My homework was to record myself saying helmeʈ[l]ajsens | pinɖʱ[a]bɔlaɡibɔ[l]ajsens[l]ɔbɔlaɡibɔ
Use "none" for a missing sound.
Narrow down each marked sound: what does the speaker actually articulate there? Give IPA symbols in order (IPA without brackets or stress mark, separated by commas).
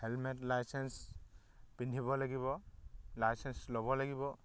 l, i, l, l